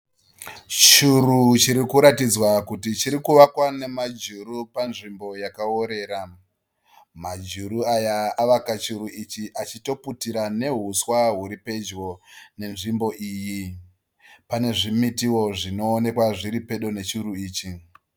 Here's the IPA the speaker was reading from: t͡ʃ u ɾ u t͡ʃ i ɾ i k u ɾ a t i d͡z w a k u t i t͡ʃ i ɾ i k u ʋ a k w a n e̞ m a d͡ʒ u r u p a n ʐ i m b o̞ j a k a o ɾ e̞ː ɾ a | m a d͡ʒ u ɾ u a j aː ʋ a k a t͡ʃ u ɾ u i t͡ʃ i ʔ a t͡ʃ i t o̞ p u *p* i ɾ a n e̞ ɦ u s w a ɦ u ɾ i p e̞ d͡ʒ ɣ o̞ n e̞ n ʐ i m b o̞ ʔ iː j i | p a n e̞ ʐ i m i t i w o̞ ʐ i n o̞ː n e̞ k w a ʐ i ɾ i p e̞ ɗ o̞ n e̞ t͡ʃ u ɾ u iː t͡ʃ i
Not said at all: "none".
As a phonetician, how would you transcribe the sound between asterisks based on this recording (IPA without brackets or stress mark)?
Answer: t